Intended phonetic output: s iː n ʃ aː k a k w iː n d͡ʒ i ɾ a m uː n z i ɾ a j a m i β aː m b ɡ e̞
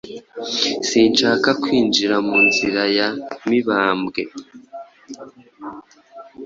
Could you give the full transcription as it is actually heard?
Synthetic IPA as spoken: s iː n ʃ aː k a k w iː n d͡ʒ i ɾ a m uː n z i ɾ a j a m i β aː m b ɡ e̞